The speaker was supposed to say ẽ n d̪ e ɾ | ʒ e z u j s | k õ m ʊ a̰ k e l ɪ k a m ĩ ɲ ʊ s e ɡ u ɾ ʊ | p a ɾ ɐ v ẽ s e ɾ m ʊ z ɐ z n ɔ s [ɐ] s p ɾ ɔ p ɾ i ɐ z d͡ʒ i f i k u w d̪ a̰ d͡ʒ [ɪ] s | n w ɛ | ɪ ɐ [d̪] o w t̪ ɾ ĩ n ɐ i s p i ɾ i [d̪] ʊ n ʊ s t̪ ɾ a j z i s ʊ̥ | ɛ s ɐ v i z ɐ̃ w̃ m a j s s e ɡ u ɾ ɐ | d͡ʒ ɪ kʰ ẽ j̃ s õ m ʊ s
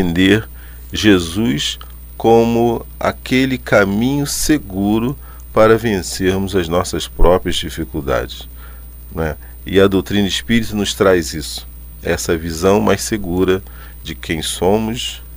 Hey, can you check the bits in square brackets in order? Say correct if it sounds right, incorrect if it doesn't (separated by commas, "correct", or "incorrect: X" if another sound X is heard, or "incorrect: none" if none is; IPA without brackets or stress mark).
correct, correct, correct, incorrect: t̪